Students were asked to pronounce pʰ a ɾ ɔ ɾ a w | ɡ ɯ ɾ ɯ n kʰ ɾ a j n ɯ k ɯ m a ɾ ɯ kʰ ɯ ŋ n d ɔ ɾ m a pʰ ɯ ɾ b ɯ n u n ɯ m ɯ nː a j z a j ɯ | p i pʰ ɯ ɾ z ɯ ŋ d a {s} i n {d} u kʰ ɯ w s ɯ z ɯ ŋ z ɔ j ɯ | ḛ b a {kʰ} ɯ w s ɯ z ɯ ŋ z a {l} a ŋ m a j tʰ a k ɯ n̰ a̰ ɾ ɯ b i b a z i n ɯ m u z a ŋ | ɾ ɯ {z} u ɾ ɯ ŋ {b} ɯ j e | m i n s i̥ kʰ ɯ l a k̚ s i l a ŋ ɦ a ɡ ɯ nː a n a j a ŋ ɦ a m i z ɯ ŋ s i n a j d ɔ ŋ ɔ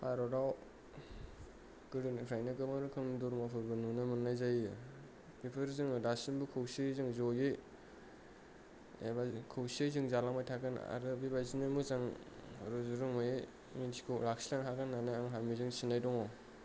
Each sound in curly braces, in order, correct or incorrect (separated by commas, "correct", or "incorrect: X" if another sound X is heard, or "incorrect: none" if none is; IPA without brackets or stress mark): correct, incorrect: b, correct, correct, correct, incorrect: m